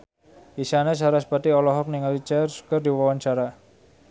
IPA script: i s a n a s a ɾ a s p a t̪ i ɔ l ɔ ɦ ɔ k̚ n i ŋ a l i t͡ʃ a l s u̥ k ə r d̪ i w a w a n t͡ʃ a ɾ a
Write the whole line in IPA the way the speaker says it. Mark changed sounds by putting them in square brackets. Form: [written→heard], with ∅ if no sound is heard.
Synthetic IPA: i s a n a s a ɾ a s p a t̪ i ɔ l ɔ ɦ ɔ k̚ n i ŋ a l i t͡ʃ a [l→r] s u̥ k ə r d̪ i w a w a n t͡ʃ a ɾ a